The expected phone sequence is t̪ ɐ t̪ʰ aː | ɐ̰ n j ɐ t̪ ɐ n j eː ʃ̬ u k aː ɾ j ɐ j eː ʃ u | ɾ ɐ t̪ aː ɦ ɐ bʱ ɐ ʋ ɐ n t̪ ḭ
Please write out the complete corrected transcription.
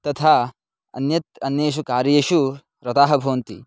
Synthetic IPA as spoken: t̪ ɐ t̪ʰ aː | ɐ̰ n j ɐ t̪ ɐ n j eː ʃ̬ u k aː ɾ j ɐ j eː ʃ u | ɾ ɐ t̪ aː ɦ ɐ bʱ ɐ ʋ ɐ n t̪ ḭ